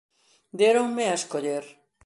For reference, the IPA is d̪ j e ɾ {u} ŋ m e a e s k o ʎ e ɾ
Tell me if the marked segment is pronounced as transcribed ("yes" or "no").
no